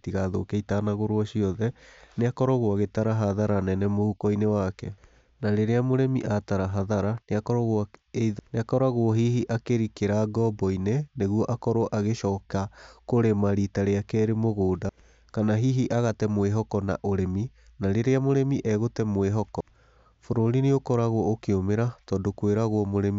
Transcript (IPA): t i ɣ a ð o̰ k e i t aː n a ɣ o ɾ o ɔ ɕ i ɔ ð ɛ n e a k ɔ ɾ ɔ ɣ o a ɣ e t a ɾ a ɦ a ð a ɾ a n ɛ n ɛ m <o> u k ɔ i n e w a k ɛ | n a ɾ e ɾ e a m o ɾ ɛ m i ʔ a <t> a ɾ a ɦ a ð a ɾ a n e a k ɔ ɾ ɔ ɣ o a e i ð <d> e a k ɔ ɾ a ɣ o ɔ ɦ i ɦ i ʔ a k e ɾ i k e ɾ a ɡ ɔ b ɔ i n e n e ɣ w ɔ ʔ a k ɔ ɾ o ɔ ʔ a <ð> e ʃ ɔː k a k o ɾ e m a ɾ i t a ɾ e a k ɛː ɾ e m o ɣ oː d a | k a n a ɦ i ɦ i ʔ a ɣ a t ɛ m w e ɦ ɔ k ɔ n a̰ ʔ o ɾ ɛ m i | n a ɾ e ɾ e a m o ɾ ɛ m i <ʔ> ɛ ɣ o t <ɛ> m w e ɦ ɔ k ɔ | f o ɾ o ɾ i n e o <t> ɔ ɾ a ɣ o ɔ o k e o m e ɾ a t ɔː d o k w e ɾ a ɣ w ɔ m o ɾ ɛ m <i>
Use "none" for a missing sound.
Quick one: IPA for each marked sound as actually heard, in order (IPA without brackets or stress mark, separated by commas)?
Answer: o, t, n, ɣ, ʔ, ɛ, k, i